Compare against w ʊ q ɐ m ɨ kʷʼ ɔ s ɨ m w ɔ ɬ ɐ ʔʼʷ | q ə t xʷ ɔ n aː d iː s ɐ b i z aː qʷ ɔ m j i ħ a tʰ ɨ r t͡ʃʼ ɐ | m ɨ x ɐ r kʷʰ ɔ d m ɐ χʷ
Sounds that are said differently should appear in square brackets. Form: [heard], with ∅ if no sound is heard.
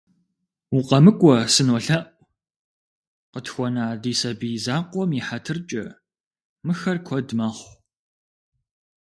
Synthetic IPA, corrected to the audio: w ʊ q ɐ m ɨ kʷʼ ɔ s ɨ [n] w ɔ ɬ ɐ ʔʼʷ | q ə t xʷ ɔ n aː d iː s ɐ b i z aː qʷ ɔ m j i ħ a tʰ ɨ r t͡ʃʼ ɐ | m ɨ x ɐ r kʷʰ ɔ d m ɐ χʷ

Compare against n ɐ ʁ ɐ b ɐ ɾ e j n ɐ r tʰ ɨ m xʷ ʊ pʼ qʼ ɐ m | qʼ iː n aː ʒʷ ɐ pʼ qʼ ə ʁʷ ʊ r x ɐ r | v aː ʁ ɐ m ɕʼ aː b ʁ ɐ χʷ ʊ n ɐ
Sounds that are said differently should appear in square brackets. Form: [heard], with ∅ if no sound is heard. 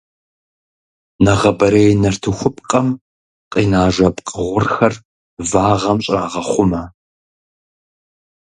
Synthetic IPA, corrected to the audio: n ɐ ʁ ɐ b ɐ ɾ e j n ɐ r tʰ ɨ [∅] xʷ ʊ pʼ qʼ ɐ m | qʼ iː n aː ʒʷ ɐ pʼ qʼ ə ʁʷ ʊ r x ɐ r | v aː ʁ ɐ m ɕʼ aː [∅] ʁ ɐ χʷ ʊ [m] ɐ

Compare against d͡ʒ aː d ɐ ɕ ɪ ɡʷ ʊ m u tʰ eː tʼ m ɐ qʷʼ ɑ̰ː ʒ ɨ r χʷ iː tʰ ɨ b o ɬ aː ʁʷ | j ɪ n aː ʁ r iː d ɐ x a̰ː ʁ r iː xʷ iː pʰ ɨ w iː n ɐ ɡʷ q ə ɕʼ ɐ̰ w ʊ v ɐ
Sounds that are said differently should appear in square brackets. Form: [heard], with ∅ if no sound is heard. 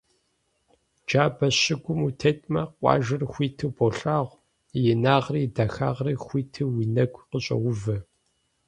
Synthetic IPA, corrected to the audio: d͡ʒ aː [b] ɐ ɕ ɪ ɡʷ ʊ m u tʰ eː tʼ m ɐ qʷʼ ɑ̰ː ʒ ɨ r [xʷ] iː tʰ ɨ b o ɬ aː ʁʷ | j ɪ n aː ʁ r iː d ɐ x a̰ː ʁ r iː xʷ iː [tʰ] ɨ w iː n ɐ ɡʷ q ə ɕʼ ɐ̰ w ʊ v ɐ

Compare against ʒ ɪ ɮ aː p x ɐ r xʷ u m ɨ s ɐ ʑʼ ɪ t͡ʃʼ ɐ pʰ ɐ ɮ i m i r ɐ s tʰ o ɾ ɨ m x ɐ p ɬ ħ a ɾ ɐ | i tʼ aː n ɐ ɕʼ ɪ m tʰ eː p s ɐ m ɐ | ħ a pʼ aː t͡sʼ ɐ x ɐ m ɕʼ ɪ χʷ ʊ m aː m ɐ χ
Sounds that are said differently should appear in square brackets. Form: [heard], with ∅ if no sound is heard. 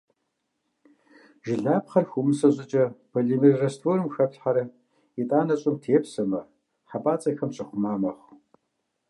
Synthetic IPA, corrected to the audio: ʒ ɪ ɮ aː p [χ] ɐ r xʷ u m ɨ s ɐ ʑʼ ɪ t͡ʃʼ ɐ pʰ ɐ ɮ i m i r ɐ s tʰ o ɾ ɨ m x ɐ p ɬ ħ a ɾ ɐ | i tʼ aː n ɐ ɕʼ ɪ m tʰ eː p s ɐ m ɐ | ħ a pʼ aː t͡sʼ ɐ x ɐ m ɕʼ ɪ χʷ ʊ m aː m ɐ χ

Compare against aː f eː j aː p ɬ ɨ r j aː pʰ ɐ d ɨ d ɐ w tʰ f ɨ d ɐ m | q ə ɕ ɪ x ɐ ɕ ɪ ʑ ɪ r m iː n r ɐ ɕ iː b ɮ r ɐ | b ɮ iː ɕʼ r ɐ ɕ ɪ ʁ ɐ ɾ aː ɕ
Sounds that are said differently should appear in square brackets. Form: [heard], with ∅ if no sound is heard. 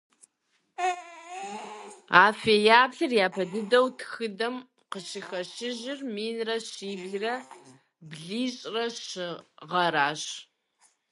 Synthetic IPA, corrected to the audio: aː f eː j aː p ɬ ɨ r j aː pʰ ɐ d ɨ d ɐ w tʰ [x] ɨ d ɐ m | q ə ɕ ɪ x ɐ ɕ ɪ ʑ ɪ r m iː n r ɐ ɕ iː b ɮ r ɐ | b ɮ iː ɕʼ r ɐ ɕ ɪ ʁ ɐ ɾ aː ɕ

